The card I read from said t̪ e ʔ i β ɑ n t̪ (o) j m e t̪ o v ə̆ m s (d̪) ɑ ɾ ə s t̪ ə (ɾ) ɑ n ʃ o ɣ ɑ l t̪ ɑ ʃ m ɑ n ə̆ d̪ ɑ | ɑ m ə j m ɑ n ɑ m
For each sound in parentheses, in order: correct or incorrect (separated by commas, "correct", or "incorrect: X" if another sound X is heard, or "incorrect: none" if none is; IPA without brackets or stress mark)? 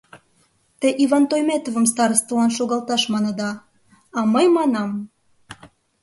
correct, incorrect: t̪, incorrect: l